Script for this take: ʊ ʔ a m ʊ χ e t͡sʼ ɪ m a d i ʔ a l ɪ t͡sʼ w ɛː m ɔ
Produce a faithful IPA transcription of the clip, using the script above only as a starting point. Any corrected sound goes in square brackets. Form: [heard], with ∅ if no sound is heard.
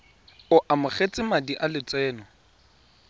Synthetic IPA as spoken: ʊ ʔ a m ʊ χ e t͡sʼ ɪ m a d i ʔ a l ɪ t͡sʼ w ɛː [n] ɔ